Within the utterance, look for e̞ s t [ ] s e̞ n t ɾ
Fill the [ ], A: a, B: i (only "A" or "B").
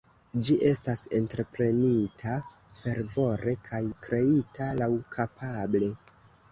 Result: A